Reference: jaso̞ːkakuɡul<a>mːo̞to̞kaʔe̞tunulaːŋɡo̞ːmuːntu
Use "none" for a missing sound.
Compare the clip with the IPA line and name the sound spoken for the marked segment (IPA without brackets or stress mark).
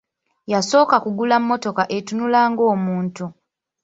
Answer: a